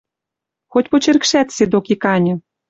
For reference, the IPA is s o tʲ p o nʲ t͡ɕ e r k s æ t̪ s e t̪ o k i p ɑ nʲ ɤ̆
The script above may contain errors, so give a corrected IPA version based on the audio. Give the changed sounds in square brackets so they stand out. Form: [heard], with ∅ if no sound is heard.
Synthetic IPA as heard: [x] o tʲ p o [∅] t͡ɕ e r k [ʃ] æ t̪ s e [d̪] o k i [k] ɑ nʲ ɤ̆